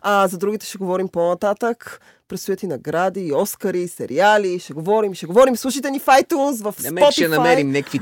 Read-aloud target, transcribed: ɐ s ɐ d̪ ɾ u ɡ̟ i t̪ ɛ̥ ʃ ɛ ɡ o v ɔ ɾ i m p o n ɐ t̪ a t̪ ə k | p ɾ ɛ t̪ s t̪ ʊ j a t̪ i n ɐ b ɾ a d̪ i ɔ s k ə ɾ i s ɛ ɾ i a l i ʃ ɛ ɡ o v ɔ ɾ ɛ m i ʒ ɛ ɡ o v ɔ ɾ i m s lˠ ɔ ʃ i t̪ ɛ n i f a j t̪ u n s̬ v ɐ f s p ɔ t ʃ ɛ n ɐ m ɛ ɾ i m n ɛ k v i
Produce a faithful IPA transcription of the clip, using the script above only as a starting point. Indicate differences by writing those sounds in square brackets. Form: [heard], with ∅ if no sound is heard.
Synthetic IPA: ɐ [z] ɐ d̪ ɾ u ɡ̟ i t̪ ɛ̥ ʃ ɛ ɡ o v ɔ ɾ i m p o n ɐ t̪ a t̪ ə k | p ɾ ɛ t̪ s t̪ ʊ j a t̪ i n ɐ [ɡ] ɾ a d̪ i ɔ s k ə ɾ i s ɛ ɾ i a l i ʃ ɛ ɡ o v ɔ ɾ [i] m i [ʃ] ɛ ɡ o v ɔ ɾ i m s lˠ [u] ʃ i t̪ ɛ n i f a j t̪ u n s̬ v ɐ f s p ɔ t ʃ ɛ n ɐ m ɛ ɾ i m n ɛ k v i